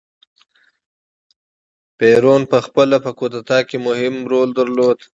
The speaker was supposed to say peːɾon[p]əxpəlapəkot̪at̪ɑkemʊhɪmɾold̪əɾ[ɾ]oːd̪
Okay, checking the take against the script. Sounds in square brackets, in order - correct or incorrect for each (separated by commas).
correct, incorrect